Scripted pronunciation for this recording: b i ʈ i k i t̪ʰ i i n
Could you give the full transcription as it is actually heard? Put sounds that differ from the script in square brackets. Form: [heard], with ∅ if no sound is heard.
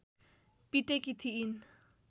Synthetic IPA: [p] i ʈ [e] k i t̪ʰ i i n